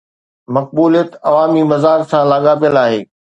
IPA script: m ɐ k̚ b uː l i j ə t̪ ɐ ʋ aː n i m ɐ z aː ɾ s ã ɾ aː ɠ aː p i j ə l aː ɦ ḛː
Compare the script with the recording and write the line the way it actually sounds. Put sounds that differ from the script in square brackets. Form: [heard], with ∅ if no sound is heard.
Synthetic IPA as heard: m ɐ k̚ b uː l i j ə t̪ ɐ ʋ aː [m] i m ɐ z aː ɾ s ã [l] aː ɠ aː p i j ə l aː ɦ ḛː

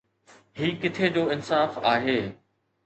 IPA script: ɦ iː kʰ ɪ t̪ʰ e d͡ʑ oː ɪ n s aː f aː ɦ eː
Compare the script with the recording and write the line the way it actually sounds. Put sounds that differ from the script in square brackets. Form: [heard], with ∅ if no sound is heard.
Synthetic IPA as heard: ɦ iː [k] ɪ t̪ʰ e d͡ʑ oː ɪ n s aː f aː ɦ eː

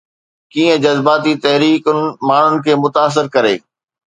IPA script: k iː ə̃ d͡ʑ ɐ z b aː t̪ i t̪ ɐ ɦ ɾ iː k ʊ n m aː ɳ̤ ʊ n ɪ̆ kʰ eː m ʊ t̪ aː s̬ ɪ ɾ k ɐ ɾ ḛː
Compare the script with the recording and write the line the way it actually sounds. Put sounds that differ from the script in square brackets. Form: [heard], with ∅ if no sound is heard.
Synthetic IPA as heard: k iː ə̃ d͡ʑ ɐ z b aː t̪ i t̪ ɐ ɦ ɾ iː k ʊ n m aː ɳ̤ ʊ n ɪ̆ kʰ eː m ʊ t̪ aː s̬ ɪ ɾ k ɐ ɾ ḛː

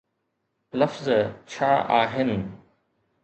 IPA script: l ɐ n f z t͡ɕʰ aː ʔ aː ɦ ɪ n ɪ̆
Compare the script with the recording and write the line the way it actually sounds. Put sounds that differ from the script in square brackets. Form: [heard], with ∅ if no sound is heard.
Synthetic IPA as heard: l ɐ [∅] f z t͡ɕʰ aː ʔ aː ɦ ɪ n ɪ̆

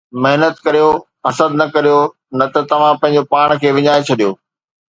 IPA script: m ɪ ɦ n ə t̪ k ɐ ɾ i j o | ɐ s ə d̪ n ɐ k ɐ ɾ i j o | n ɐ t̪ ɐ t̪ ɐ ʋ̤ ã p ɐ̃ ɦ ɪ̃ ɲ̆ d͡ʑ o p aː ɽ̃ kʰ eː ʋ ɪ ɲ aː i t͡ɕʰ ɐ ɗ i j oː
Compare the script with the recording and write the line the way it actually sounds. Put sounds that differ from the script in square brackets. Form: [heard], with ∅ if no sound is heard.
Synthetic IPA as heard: m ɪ ɦ n ə t̪ k ɐ ɾ i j o | ɐ s ə d̪ n ɐ k ɐ ɾ i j o | n ɐ t̪ ɐ t̪ ɐ ʋ̤ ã p ɐ̃ ɦ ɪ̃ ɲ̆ d͡ʑ o p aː ɽ̃ kʰ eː ʋ ɪ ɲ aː [e] t͡ɕʰ ɐ ɗ i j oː

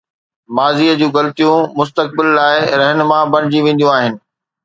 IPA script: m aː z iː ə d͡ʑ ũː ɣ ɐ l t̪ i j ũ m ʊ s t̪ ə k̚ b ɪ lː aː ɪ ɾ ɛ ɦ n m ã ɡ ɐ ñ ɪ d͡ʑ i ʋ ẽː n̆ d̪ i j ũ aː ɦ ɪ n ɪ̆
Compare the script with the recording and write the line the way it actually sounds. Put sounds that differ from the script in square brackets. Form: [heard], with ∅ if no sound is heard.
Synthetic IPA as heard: m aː z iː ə d͡ʑ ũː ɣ ɐ l t̪ i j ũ m ʊ s t̪ ə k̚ b ɪ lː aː ɪ ɾ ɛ ɦ n m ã [b] ɐ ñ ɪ d͡ʑ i ʋ ẽː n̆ d̪ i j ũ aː ɦ ɪ n ɪ̆

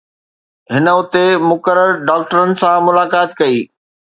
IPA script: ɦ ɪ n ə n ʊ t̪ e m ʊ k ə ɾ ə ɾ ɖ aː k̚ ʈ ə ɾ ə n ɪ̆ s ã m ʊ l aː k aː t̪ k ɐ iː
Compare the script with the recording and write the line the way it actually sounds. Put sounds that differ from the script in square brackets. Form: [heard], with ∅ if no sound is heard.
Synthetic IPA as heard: ɦ ɪ n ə [∅] ʊ t̪ e m ʊ k ə ɾ ə ɾ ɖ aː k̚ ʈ ə ɾ ə n ɪ̆ s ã m ʊ l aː k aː t̪ k ɐ iː

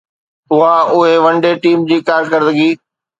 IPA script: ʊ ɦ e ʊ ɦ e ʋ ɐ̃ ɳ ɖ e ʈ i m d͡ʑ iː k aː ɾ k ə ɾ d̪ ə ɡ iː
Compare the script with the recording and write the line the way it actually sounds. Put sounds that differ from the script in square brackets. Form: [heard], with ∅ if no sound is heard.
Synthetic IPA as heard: ʊ ɦ [a] ʊ ɦ e ʋ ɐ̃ ɳ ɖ e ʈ [iː] m d͡ʑ iː k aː ɾ k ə ɾ d̪ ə ɡ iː

